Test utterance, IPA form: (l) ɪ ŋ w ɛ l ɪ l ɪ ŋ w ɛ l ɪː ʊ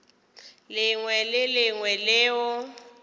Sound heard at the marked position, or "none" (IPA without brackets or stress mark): l